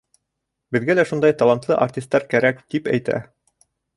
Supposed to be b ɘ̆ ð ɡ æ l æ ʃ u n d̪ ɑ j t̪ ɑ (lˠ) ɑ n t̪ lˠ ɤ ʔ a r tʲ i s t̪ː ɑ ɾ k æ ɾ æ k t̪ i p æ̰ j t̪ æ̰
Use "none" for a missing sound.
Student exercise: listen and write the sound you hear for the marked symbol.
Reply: lˠ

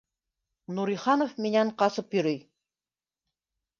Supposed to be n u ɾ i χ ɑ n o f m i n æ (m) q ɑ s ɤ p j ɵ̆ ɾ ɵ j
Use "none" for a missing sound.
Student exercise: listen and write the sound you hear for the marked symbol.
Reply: ɴ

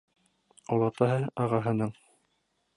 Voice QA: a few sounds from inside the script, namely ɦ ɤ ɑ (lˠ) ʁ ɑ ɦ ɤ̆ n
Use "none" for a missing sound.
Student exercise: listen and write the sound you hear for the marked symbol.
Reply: none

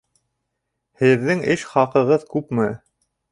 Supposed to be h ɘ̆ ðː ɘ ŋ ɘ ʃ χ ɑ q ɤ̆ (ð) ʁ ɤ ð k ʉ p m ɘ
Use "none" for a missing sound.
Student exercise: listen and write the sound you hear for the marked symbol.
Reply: none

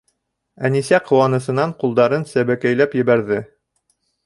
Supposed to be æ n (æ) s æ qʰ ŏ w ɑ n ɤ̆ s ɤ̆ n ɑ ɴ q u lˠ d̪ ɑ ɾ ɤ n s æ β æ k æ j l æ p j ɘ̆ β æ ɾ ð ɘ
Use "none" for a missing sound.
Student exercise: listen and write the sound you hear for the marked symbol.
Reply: i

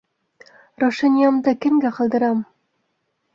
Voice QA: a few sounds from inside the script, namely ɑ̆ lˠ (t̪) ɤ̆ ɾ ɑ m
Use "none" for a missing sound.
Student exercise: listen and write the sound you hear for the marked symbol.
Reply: d̪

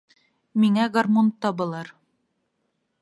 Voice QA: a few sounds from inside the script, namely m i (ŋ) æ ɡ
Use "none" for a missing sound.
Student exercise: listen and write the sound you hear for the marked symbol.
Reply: ŋ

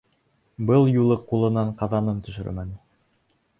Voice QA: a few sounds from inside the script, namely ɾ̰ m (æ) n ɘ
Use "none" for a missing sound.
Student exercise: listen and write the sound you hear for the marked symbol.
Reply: æ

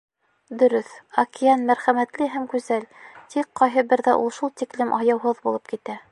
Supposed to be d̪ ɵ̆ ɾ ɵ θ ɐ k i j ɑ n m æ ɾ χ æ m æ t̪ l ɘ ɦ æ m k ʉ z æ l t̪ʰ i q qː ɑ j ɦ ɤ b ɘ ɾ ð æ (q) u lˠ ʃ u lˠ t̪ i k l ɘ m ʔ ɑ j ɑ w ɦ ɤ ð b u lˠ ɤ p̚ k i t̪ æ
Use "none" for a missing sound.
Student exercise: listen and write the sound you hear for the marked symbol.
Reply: ʔ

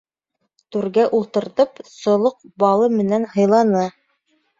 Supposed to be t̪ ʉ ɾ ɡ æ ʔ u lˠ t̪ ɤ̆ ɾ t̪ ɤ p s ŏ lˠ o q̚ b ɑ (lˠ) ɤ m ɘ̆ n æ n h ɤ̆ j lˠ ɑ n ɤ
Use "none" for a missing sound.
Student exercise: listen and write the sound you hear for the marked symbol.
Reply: lˠ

